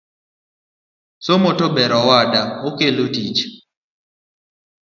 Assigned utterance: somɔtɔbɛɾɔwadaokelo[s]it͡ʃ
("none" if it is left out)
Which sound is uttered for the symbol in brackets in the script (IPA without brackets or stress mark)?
t